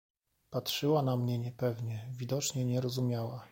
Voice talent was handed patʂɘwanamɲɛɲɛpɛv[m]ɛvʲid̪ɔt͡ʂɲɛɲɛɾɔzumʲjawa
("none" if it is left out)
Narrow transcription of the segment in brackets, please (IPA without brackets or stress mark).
ɲ